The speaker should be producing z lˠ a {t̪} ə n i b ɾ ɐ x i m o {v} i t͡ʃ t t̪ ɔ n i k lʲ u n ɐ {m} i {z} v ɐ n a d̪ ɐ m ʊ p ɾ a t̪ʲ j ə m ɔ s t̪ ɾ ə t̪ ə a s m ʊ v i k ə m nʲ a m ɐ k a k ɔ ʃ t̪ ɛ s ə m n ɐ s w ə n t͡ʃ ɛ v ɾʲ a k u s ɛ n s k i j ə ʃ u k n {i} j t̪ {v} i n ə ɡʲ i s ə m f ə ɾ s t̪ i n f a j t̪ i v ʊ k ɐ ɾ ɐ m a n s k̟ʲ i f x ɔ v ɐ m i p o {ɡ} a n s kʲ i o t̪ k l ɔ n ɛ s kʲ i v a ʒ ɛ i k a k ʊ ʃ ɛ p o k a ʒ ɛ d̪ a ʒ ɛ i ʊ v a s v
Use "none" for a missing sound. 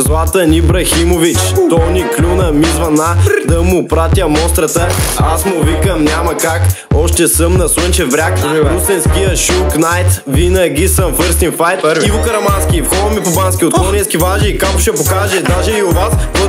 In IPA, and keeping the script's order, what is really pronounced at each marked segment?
t̪, v, m, z, a, v, b

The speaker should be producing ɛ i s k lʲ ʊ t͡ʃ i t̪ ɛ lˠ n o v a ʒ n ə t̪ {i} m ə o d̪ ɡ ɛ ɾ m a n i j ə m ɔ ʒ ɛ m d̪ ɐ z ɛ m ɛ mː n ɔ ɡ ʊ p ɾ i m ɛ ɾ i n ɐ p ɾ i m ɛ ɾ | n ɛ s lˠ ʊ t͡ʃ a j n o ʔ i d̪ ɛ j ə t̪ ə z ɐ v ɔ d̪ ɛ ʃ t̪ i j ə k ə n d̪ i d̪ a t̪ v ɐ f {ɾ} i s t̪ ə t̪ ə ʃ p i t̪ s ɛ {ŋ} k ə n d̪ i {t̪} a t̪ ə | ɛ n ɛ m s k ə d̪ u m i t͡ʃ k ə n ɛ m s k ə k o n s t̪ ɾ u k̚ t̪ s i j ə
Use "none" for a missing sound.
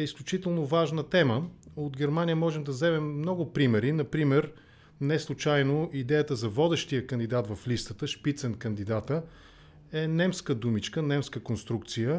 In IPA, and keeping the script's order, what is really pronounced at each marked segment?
ɛ, l, n, d̪

